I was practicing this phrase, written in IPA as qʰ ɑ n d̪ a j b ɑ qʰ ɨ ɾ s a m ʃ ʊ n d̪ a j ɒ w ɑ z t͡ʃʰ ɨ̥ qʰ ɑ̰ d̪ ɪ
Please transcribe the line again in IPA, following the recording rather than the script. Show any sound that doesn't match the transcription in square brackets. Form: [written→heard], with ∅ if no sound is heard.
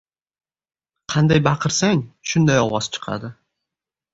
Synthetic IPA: qʰ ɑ n d̪ a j b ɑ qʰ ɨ ɾ s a [m→ŋ] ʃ ʊ n d̪ a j ɒ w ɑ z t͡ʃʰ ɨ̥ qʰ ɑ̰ d̪ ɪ